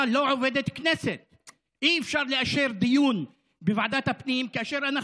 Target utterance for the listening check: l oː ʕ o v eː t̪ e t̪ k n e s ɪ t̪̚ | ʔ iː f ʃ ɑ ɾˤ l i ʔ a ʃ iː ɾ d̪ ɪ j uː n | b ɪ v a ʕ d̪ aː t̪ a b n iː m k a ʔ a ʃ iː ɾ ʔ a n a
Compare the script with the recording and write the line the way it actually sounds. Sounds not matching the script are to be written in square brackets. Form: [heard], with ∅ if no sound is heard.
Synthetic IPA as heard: l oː ʕ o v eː [d̪] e t̪ k n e s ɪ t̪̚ | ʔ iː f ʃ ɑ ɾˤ l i ʔ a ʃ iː ɾ d̪ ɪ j uː n | b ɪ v a ʕ d̪ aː t̪ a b n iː m k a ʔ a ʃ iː ɾ ʔ a n a